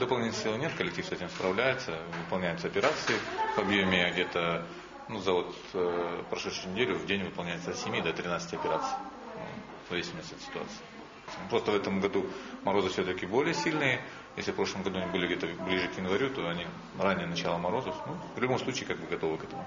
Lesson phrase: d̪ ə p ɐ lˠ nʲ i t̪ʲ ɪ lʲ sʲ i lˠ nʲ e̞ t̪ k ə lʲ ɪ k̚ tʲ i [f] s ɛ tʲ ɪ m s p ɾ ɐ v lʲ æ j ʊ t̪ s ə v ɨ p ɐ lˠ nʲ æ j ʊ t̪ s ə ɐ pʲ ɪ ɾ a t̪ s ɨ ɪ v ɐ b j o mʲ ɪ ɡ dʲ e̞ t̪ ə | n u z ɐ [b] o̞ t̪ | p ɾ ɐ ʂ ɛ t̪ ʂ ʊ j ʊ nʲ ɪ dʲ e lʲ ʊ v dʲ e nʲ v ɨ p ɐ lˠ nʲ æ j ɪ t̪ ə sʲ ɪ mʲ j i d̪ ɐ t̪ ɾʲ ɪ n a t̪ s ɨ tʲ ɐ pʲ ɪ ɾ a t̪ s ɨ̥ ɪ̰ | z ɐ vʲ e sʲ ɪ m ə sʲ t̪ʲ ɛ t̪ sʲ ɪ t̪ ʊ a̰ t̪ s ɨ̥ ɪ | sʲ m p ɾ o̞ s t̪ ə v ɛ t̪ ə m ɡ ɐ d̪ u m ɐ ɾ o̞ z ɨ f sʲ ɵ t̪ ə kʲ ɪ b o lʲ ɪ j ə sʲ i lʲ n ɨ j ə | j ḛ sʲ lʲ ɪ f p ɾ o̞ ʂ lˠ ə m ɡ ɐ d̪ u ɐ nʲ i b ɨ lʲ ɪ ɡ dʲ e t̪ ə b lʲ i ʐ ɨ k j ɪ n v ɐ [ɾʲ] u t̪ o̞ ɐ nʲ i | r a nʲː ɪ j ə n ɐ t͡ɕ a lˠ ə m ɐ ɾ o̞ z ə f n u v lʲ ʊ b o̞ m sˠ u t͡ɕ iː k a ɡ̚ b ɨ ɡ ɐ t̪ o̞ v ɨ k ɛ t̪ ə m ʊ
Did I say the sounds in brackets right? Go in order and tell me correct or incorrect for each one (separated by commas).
correct, incorrect, correct